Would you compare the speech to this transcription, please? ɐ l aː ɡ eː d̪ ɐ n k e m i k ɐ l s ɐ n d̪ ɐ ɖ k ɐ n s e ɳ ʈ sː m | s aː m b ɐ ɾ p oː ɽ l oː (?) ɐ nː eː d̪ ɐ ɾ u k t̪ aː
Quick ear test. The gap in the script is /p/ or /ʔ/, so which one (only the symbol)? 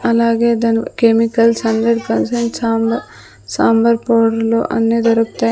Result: ʔ